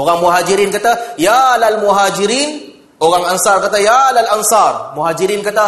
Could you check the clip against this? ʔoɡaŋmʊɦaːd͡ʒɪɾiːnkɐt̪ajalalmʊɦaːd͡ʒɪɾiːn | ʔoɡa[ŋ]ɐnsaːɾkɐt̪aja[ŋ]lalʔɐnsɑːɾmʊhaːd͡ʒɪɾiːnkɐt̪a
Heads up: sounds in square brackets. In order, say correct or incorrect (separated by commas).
correct, incorrect